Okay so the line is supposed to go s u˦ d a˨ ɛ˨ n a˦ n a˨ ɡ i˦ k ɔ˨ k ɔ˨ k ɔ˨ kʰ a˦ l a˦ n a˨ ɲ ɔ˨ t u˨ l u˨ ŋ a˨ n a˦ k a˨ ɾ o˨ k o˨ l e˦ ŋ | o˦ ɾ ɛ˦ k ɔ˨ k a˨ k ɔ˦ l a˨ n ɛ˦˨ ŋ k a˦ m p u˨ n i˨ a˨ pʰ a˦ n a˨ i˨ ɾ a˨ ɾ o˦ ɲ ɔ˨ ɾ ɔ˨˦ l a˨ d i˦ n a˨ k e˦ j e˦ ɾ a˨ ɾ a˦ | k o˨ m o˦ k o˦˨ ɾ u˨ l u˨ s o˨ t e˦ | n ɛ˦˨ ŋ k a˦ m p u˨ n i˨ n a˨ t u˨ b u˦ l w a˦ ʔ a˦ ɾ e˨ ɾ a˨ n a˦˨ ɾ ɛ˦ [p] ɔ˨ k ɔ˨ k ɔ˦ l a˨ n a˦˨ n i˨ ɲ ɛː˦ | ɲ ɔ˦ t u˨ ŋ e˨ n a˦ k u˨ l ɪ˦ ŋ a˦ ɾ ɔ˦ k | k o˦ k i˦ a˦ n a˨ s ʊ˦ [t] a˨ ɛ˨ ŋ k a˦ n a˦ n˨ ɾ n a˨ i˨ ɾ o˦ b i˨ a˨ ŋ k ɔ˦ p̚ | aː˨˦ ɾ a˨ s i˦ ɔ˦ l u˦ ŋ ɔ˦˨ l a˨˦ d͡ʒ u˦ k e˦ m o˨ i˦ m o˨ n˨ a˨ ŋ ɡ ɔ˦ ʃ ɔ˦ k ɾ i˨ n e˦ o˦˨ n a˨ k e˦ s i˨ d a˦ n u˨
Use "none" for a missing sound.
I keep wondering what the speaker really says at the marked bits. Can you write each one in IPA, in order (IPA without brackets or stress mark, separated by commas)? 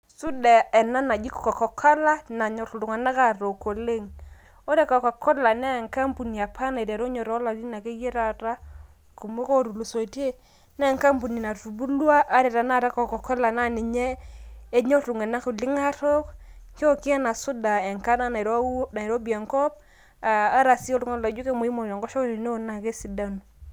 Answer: k, d